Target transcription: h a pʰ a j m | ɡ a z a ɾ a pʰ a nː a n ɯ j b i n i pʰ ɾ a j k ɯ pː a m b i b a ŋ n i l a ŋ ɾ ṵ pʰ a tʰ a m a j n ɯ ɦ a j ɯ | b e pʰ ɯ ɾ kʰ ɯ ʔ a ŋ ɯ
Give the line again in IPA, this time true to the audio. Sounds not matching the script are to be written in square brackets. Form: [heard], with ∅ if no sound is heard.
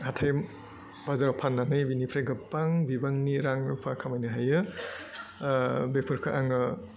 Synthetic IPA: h a [tʰ] a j m | [b] a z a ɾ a pʰ a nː a n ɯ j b i n i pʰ ɾ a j [ɡ] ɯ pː a [ŋ] b i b a ŋ n i [ɾ] a ŋ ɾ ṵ pʰ a [kʰ] a m a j n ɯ ɦ a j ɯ | b e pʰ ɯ ɾ kʰ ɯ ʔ a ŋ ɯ